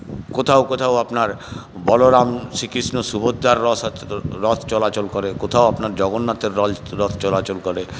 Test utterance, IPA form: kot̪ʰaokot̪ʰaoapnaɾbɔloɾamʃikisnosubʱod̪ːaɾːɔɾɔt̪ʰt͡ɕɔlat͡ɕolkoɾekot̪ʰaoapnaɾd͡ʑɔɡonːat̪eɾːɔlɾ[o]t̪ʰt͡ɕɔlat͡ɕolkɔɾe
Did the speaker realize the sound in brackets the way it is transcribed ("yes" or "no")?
no